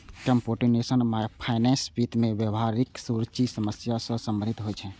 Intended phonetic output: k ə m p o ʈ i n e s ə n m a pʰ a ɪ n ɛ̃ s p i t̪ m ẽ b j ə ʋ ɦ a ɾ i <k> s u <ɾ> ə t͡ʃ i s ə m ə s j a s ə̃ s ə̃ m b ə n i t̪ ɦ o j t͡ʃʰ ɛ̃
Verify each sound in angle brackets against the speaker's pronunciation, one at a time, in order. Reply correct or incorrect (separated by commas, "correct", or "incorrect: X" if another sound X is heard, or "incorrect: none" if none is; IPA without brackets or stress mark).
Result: correct, correct